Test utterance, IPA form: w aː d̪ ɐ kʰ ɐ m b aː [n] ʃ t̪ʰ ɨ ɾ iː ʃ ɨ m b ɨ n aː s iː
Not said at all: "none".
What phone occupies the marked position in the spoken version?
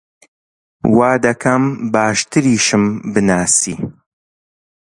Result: none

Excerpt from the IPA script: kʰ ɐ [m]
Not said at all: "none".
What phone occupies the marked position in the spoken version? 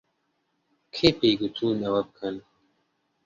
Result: n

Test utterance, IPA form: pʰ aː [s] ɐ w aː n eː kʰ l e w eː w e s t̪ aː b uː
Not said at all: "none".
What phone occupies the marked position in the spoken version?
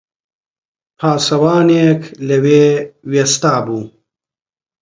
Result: s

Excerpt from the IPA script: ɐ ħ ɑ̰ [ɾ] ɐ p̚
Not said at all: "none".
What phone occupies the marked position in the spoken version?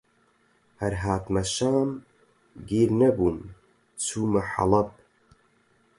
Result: l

